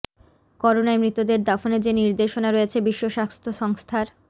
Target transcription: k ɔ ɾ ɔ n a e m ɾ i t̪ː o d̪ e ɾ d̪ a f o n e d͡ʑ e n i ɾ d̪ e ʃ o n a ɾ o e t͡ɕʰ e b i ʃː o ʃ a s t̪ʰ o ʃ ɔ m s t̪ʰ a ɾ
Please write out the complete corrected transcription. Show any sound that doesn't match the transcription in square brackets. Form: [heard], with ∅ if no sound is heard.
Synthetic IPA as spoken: k ɔ ɾ [o] n a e m ɾ i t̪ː o d̪ e ɾ d̪ a f o n e d͡ʑ e n i ɾ d̪ e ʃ o n a ɾ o e t͡ɕʰ e b i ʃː o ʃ a s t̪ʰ o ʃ ɔ [ŋ] s t̪ʰ a ɾ